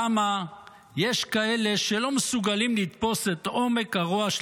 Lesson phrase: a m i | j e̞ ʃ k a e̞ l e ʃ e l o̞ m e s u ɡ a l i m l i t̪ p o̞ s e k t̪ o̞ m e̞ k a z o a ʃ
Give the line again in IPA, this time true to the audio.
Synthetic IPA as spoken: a m a | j e̞ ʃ k a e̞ l e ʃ e l o̞ m e s u ɡ a l i m l i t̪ p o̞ s e t̪ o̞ m e̞ k a ʁ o a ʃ